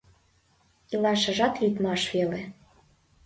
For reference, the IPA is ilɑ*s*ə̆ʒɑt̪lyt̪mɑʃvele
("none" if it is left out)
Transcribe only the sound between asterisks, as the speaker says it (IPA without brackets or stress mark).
ʃ